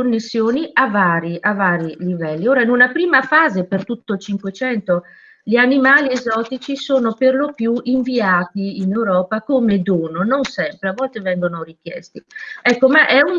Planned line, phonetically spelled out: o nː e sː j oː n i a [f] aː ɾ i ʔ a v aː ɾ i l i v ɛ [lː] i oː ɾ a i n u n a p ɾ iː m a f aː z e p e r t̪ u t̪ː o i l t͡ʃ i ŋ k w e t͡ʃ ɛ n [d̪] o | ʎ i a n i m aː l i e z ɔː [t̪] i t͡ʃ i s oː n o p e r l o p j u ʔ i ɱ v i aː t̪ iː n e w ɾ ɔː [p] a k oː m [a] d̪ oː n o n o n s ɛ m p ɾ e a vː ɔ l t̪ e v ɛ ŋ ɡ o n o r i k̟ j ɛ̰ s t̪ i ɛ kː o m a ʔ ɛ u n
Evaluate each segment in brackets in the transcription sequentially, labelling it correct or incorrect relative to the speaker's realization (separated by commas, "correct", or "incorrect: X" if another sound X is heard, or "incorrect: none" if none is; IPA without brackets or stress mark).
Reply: incorrect: v, correct, incorrect: t̪, correct, correct, incorrect: e